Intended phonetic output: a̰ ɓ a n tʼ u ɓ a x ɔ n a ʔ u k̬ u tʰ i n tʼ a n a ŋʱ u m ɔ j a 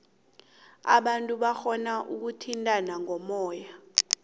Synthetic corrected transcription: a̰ ɓ a n tʼ u ɓ a x ɔ n a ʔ u k̬ u tʰ i n tʼ a n a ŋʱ ɔ m ɔː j a